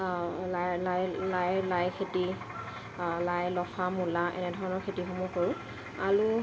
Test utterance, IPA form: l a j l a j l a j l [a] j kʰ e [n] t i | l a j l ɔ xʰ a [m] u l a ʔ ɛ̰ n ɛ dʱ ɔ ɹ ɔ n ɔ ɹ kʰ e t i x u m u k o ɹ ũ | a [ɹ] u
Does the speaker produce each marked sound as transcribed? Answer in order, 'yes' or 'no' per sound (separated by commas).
yes, no, yes, no